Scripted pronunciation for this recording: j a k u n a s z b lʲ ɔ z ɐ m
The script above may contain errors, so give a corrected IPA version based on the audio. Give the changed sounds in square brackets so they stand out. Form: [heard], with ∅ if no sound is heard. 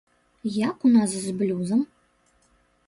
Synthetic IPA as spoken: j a k u n a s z b lʲ [u] z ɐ m

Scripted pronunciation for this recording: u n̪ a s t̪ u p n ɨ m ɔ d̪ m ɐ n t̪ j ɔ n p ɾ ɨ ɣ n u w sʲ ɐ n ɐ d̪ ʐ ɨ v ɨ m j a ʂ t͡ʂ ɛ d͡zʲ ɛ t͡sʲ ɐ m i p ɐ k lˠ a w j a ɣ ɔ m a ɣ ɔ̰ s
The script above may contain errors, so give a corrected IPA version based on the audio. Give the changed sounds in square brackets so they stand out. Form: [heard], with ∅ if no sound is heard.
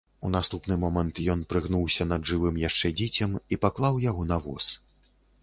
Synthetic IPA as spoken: u n̪ a s t̪ u p n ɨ m ɔ [∅] m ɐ n t̪ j ɔ n p ɾ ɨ ɣ n u w sʲ ɐ n ɐ d̪ ʐ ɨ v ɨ m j a ʂ t͡ʂ ɛ d͡zʲ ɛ t͡sʲ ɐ m i p [a] k lˠ a w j a ɣ ɔ [n] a [v] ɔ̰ s

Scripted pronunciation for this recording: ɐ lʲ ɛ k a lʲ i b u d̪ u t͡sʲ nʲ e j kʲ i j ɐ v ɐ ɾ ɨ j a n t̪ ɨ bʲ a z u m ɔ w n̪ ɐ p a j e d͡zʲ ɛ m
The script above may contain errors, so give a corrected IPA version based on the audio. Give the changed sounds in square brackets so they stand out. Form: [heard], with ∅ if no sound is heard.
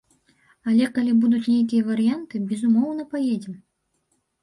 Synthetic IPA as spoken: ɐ lʲ ɛ k a lʲ i b u d̪ u t͡sʲ nʲ e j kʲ i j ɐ v ɐ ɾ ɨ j a n t̪ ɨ bʲ [ɛ] z u m ɔ w n̪ ɐ p a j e d͡zʲ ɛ m

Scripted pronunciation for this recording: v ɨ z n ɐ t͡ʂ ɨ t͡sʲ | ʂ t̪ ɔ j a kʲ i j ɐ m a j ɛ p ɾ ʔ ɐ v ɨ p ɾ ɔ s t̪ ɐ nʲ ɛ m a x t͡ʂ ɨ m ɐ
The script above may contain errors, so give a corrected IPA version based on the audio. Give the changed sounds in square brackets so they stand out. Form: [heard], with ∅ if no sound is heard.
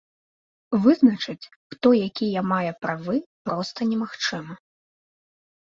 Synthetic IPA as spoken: v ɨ z n ɐ t͡ʂ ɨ t͡sʲ | [x] t̪ ɔ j a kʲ i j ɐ m a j ɛ p ɾ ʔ [a] v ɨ p ɾ ɔ s t̪ ɐ nʲ ɛ m a x t͡ʂ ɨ m ɐ

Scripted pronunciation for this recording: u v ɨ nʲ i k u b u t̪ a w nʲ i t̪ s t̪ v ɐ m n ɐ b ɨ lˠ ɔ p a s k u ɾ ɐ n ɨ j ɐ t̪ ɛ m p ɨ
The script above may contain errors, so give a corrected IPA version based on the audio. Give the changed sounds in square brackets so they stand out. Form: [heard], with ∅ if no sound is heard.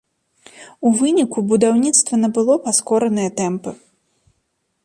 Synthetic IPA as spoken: u v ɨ nʲ i k u b u [d̪] a w nʲ i t̪ s t̪ v ɐ [∅] n ɐ b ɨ lˠ ɔ p a s k [ɔ] ɾ ɐ n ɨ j ɐ t̪ ɛ m p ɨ

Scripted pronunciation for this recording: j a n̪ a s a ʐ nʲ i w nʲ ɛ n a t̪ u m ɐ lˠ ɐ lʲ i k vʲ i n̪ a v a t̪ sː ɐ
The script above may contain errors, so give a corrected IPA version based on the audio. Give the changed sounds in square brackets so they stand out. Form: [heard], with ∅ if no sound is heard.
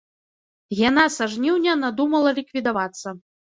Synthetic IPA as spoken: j a n̪ a s a ʐ nʲ i w nʲ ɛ n a [d̪] u m ɐ lˠ ɐ lʲ i k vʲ i [d̪] a v a t̪ sː ɐ

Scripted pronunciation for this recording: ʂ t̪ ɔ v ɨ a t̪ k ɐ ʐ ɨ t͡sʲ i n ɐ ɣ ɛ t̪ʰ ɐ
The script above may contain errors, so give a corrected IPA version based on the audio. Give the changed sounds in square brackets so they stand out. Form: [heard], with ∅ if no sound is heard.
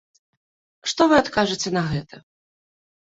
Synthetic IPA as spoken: ʂ t̪ ɔ v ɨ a t̪ k [a] ʐ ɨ t͡sʲ [ɛ] n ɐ ɣ ɛ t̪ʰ ɐ

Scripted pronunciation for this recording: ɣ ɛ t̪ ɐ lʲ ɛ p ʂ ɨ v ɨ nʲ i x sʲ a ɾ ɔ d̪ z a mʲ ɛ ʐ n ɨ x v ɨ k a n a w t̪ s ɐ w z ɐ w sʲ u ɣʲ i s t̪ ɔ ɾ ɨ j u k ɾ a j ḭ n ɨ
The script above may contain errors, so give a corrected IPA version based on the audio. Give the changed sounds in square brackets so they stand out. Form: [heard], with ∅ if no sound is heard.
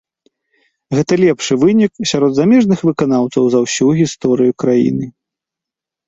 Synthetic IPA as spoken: ɣ ɛ t̪ ɐ lʲ ɛ p ʂ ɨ v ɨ nʲ i [k] sʲ a ɾ ɔ d̪ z a mʲ ɛ ʐ n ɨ x v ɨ k a n a w t̪ s ɐ w z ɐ w sʲ u ɣʲ i s t̪ ɔ ɾ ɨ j u k ɾ a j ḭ n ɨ

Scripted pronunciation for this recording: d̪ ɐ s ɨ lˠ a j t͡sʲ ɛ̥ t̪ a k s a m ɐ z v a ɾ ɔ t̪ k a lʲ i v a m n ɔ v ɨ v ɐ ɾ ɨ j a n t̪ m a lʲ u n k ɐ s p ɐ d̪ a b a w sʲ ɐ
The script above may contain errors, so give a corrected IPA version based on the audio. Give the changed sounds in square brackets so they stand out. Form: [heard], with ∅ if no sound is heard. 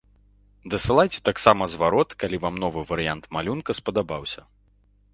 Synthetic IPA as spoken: d̪ ɐ s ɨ lˠ a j t͡sʲ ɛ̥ t̪ a k s a m ɐ z v a ɾ ɔ t̪ k a lʲ i v a m n ɔ v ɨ v ɐ ɾ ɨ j a n t̪ m a lʲ u n k ɐ s p ɐ d̪ a b a w sʲ ɐ

